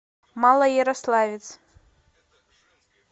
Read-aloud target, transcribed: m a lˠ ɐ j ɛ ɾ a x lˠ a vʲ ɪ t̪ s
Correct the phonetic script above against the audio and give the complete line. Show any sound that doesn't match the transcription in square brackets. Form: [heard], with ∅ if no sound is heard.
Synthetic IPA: m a lˠ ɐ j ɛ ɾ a [s] lˠ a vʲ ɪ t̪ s